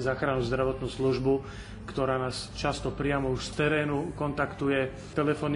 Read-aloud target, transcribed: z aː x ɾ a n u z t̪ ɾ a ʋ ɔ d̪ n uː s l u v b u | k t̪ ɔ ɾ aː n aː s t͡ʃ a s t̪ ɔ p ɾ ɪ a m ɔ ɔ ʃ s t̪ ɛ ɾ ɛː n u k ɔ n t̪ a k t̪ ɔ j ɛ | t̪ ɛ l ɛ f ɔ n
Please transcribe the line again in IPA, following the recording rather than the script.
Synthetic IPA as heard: z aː x ɾ a n u z d̪ ɾ a ʋ ɔ t̪ n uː s l u ʒ b u | k t̪ ɔ ɾ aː n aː s t͡ʃ a s t̪ ɔ p ɾ ɪ a m ɔ u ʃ s t̪ ɛ ɾ ɛː n u k ɔ n t̪ a k t̪ u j ɛ | t̪ ɛ l ɛ f ɔ n